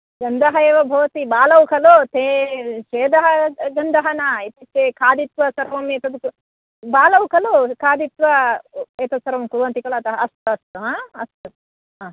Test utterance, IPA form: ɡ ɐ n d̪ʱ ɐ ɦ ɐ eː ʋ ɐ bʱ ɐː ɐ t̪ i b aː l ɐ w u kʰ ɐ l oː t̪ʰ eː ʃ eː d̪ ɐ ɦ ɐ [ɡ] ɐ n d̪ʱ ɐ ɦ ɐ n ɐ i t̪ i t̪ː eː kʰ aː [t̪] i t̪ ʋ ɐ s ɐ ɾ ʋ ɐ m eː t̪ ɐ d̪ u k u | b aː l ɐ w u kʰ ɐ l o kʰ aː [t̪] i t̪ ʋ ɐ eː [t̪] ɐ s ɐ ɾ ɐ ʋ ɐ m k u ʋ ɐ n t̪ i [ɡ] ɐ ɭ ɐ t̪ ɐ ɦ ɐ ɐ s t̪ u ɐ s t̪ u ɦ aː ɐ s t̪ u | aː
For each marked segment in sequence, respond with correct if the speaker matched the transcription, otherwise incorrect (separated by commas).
correct, incorrect, incorrect, correct, incorrect